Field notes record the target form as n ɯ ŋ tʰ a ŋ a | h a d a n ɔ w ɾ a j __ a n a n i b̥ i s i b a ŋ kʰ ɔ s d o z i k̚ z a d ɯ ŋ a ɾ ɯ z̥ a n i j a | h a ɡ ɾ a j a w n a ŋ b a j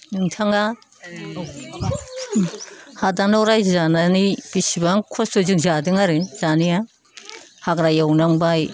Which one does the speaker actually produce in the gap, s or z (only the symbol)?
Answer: z